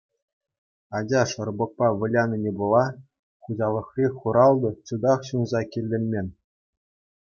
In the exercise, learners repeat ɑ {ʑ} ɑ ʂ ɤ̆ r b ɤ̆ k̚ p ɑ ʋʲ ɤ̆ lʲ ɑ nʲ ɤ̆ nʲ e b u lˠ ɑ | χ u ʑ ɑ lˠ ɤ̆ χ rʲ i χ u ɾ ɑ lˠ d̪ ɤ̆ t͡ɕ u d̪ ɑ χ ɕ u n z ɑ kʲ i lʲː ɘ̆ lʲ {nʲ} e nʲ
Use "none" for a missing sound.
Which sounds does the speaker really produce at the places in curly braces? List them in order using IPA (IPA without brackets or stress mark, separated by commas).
d͡ʑ, mʲ